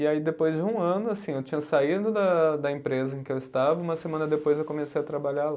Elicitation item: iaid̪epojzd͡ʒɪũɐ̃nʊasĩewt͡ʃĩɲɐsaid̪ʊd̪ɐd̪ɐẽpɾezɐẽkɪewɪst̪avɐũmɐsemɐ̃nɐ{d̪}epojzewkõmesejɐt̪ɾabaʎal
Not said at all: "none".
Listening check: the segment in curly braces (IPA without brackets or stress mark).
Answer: d̪